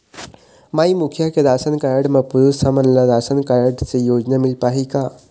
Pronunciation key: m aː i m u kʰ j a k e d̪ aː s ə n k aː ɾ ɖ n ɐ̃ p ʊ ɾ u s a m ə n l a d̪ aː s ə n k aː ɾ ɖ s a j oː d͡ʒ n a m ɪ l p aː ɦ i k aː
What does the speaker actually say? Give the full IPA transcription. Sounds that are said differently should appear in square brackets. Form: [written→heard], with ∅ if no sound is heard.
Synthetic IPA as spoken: m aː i m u kʰ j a k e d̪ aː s ə n k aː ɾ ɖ [n→m] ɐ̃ p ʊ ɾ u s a m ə n l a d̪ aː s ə n k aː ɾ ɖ s [a→e] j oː d͡ʒ n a m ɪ l p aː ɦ i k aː